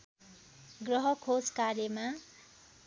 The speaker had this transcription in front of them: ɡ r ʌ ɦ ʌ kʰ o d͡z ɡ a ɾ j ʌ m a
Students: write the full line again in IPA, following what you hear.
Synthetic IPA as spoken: ɡ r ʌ ɦ ʌ kʰ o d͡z k a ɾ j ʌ m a